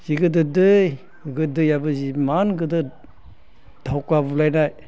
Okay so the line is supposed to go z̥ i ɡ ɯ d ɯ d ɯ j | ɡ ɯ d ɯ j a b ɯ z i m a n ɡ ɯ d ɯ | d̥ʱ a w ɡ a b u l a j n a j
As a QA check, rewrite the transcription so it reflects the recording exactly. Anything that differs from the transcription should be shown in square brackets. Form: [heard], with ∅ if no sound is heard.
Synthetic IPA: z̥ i ɡ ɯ d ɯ d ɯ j | ɡ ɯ d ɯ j a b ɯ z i m a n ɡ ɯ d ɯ | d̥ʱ a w [k] a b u l a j n a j